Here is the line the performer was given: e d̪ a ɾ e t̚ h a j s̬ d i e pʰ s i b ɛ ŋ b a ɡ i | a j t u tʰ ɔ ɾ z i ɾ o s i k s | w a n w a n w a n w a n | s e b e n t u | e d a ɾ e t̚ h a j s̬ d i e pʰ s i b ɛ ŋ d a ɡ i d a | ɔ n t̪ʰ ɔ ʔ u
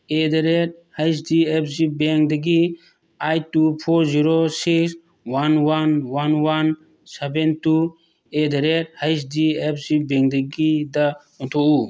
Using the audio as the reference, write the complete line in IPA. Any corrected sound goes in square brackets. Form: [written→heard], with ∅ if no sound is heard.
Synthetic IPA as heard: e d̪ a ɾ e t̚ h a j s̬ d i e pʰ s i b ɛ ŋ [b→d] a ɡ i | a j t u [tʰ→pʰ] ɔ ɾ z i ɾ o s i k s | w a n w a n w a n w a n | s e b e n t u | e d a ɾ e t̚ h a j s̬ d i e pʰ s i b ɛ ŋ d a ɡ i d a | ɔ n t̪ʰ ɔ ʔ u